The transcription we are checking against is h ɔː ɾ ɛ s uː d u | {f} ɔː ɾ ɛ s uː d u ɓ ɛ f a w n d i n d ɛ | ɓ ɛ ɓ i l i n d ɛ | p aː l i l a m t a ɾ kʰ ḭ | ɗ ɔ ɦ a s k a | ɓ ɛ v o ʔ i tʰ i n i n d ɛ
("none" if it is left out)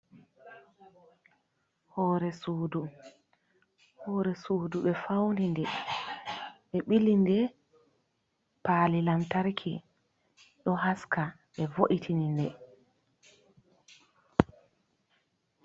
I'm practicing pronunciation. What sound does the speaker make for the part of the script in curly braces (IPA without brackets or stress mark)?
h